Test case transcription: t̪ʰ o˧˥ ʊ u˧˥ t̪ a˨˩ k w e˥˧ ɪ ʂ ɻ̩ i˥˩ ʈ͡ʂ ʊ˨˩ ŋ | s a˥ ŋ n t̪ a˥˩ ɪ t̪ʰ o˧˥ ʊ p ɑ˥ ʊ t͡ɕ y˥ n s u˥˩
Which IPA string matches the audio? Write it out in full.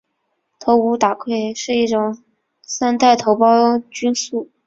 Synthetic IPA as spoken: t̪ʰ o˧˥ ʊ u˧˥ t̪ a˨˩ kʰ w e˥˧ ɪ ʂ ɻ̩ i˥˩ ʈ͡ʂ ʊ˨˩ ŋ | s a˥ n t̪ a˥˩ ɪ t̪ʰ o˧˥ ʊ p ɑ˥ ʊ t͡ɕ y˥ n s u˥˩